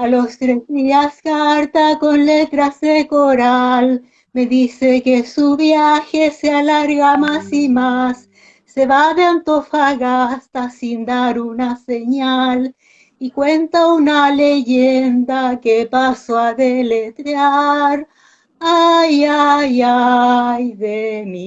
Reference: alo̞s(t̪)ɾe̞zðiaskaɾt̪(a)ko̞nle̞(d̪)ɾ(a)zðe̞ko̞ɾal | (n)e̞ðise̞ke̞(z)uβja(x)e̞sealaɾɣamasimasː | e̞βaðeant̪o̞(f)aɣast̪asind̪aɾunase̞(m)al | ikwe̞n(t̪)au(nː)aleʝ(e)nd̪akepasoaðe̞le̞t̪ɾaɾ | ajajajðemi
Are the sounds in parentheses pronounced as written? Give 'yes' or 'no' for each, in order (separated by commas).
yes, yes, no, yes, no, no, yes, yes, no, yes, no, yes